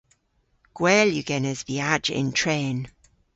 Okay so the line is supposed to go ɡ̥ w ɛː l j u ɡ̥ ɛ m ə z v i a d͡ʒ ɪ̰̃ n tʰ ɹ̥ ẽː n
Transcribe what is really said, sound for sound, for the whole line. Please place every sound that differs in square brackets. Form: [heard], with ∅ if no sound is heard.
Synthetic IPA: ɡ̥ w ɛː l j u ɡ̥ ɛ [n] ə z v i a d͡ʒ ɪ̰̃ n tʰ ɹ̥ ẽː n